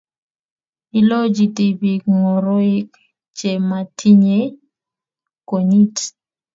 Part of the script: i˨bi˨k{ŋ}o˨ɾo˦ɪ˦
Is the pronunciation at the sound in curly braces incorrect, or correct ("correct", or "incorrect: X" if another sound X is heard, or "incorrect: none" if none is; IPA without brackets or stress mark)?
correct